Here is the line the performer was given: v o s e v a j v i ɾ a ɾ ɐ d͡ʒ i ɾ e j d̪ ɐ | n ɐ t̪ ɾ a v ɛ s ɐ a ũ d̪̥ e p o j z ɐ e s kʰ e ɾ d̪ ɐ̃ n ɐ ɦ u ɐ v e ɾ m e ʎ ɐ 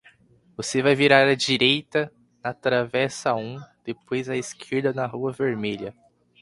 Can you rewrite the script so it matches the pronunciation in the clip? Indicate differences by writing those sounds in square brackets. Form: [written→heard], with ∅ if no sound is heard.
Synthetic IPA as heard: v o s e v a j v i ɾ a ɾ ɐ d͡ʒ i ɾ e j [d̪→t̪] ɐ | n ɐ t̪ ɾ a v ɛ s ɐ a ũ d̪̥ e p o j z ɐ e s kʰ e ɾ d̪ [ɐ̃→ɐ] n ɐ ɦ u ɐ v e ɾ m e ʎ ɐ